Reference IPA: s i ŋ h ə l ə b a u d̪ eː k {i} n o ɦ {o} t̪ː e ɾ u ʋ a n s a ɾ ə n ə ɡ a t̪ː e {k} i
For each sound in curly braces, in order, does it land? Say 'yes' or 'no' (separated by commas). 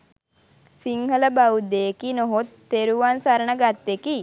yes, yes, yes